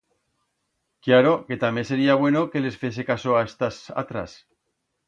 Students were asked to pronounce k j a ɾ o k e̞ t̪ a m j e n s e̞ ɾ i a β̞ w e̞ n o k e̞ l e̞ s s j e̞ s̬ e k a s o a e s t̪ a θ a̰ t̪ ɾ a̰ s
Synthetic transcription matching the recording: k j a ɾ o k e̞ t̪ a m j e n s e̞ ɾ i a β̞ w e̞ n o k e̞ l e̞ s f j e̞ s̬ e k a s o a e s t̪ a s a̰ t̪ ɾ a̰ s